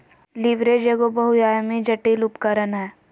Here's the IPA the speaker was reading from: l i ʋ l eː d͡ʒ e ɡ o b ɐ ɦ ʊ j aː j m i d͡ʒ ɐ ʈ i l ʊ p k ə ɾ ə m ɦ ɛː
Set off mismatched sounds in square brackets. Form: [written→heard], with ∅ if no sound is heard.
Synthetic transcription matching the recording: l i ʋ [l→ɾ] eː d͡ʒ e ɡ o b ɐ ɦ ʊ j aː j m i d͡ʒ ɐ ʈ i l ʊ p k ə ɾ ə [m→n] ɦ ɛː